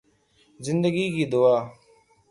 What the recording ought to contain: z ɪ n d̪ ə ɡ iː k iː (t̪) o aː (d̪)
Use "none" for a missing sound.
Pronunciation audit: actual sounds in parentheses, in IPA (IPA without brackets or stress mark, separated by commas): d̪, none